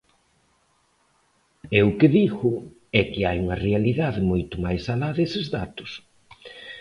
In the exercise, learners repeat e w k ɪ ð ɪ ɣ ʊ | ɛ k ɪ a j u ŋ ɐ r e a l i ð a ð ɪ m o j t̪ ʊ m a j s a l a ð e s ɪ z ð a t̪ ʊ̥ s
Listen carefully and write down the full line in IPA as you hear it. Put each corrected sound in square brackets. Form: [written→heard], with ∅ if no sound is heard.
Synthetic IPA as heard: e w k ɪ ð [ɪ→i] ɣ ʊ | ɛ k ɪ a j u ŋ ɐ r e a l i ð a ð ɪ m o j t̪ ʊ m a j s a l a ð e s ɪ z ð a t̪ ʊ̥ s

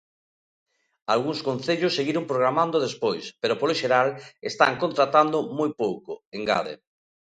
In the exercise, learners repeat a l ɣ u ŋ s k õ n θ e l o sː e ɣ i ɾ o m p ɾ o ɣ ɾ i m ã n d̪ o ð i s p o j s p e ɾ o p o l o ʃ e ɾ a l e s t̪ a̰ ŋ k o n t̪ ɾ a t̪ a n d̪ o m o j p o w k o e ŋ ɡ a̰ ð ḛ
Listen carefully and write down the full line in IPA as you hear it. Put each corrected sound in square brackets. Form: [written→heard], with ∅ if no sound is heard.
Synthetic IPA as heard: a l ɣ u ŋ s k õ n θ e [l→ʎ] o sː e ɣ i ɾ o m p ɾ o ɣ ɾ [i→a] m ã n d̪ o ð [i→e] s p o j s p e ɾ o p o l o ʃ e ɾ a l e s t̪ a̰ ŋ k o n t̪ ɾ a t̪ a n d̪ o m o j p o w k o e ŋ ɡ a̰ ð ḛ

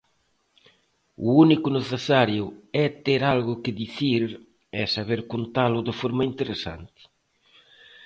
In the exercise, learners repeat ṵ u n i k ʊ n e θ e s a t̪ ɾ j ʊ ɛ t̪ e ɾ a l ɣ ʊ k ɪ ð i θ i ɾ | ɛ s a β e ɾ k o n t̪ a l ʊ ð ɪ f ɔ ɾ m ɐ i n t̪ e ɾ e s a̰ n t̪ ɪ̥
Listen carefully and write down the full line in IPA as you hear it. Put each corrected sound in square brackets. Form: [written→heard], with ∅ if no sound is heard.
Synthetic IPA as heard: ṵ u n i k ʊ n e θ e s a [t̪→∅] ɾ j ʊ ɛ t̪ e ɾ a l ɣ ʊ k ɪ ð i θ i ɾ | ɛ s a β e ɾ k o n t̪ a l ʊ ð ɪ f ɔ ɾ m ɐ i n t̪ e ɾ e s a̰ n t̪ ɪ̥

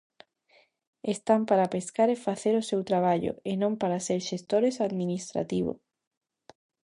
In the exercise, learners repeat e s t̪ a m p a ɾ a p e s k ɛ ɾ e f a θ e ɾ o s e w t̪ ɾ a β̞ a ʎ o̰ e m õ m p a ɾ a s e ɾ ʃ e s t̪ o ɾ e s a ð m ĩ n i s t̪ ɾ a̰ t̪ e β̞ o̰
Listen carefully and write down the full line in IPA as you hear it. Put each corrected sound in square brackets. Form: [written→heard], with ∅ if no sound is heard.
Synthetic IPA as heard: e s t̪ a m p a ɾ a p e s k [ɛ→a] ɾ e f a θ e ɾ o s e w t̪ ɾ a β̞ a ʎ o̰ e [m→n] õ m p a ɾ a s e ɾ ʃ e s t̪ o ɾ e s a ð m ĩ n i s t̪ ɾ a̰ t̪ [e→i] β̞ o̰

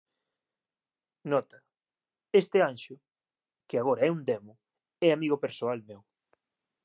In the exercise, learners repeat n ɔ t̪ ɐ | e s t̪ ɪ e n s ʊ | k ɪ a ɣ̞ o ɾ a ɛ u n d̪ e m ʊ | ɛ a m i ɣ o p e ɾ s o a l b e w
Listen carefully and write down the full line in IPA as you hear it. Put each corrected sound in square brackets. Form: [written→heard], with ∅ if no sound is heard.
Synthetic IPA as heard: n ɔ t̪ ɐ | e s t̪ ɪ [e→a] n [s→ʃ] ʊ | k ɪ a ɣ̞ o ɾ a ɛ u n d̪ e m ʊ | ɛ a m i ɣ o p e ɾ s o a l [b→m] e w

